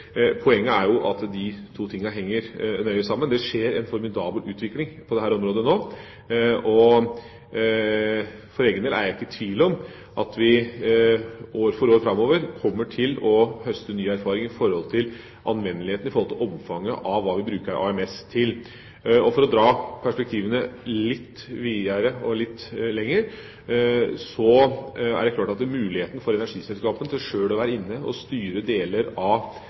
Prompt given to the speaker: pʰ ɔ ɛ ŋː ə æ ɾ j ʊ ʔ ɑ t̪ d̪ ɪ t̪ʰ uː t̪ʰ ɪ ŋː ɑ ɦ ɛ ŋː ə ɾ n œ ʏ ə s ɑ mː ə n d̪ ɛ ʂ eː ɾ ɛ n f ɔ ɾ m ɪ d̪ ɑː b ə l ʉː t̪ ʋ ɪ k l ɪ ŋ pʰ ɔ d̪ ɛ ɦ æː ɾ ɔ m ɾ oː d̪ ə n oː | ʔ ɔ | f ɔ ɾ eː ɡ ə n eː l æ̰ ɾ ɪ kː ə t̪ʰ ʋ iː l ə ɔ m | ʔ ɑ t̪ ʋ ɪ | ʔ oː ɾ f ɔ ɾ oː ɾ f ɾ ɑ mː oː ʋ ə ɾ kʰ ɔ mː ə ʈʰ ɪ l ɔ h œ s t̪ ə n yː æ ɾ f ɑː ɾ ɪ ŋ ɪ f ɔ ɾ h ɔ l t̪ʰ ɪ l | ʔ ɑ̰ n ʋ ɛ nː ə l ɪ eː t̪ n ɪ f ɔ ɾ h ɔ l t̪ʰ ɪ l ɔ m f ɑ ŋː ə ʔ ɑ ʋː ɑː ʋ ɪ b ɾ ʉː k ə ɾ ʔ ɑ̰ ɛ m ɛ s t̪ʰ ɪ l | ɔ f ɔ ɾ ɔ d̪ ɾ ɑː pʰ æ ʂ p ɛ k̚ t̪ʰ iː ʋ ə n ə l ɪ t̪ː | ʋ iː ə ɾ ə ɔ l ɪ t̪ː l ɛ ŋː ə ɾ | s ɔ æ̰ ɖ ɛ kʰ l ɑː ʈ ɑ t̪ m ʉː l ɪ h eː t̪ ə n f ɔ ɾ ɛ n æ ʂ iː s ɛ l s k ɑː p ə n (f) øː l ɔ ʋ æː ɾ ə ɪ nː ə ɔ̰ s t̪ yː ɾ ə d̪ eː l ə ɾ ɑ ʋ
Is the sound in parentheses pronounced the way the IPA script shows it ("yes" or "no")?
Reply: no